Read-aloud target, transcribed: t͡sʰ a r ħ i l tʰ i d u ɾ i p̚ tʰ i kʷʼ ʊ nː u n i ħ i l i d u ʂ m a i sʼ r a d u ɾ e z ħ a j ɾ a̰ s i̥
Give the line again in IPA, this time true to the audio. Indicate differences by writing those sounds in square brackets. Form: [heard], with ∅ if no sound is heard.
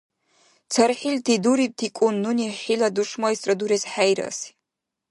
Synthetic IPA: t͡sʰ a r ħ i l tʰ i d u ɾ i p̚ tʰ i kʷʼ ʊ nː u n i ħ i l [a] d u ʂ m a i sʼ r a d u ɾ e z ħ a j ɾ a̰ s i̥